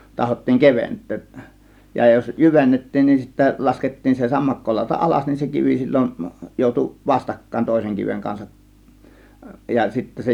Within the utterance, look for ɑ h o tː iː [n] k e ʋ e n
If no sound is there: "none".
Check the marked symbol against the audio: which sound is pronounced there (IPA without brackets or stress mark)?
ŋ